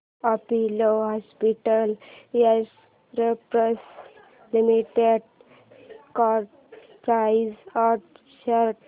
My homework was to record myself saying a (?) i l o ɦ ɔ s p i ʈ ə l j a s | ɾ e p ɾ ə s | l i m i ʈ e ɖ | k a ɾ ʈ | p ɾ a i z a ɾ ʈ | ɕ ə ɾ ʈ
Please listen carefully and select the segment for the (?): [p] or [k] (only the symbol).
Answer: p